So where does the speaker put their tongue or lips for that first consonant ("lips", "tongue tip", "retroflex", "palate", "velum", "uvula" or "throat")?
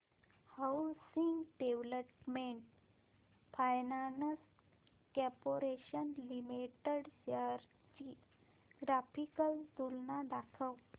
throat